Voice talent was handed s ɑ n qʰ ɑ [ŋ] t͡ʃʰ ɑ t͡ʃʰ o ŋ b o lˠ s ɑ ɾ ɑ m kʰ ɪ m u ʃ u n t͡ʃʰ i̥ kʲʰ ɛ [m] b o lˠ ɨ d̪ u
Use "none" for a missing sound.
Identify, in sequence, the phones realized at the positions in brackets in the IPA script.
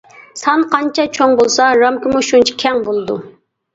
n, ŋ

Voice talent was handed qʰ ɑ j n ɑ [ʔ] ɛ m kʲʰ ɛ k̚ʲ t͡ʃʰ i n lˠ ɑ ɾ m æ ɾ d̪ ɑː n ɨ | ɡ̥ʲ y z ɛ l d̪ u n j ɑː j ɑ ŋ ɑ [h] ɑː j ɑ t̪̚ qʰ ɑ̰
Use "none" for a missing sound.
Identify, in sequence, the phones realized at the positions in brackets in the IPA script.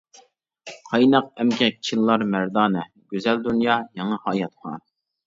q, h

